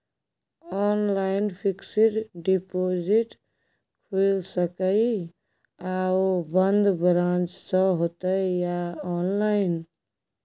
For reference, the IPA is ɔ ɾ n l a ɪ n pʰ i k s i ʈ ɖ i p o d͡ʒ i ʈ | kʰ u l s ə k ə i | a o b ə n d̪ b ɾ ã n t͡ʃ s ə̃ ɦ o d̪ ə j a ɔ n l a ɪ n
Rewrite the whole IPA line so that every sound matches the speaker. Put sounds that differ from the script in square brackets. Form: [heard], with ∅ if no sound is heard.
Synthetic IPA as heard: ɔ [∅] n l a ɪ n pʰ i k s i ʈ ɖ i p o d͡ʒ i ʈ | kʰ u l s ə k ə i | a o b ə n d̪ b ɾ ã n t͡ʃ s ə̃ ɦ o [t̪] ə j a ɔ n l a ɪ n